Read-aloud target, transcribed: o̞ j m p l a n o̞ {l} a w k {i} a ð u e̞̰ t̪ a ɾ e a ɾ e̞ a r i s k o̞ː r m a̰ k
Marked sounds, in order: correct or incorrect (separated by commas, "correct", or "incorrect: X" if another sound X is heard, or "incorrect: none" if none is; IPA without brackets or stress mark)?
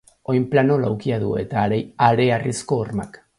correct, correct